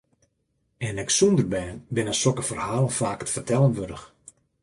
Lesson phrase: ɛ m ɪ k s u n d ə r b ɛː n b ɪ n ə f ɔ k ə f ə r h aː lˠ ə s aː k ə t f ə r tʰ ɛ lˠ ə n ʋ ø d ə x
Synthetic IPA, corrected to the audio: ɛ n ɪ k s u n d ə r b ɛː n b ɪ n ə s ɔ k ə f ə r h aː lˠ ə f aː k ə t f ə r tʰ ɛ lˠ ə n ʋ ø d ə x